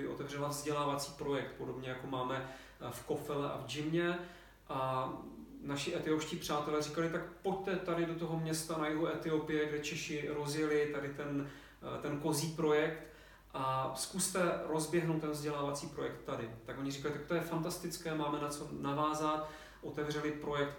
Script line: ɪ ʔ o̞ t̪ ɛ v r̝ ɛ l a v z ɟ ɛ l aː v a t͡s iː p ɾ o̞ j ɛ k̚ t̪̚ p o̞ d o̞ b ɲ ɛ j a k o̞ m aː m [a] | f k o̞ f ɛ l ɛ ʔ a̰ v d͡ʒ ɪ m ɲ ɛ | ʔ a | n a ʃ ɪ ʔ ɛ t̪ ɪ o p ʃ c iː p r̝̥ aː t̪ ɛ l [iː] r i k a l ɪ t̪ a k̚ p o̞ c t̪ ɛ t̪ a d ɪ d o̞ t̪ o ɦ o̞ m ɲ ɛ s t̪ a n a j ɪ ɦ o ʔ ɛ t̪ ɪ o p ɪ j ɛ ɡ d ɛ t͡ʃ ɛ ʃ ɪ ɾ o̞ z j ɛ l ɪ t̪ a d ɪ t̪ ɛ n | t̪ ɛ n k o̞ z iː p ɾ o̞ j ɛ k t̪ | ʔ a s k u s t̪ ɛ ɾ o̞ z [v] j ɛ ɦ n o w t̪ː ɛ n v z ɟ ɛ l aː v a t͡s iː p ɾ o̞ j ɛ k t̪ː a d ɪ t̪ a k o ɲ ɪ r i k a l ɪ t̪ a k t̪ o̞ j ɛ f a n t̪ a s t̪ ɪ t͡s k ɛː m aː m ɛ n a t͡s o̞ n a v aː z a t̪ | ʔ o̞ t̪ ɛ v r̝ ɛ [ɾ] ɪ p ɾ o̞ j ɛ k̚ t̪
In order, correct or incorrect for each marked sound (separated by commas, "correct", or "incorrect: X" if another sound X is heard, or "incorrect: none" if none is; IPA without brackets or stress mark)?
incorrect: ɛ, incorrect: ɛː, incorrect: b, incorrect: l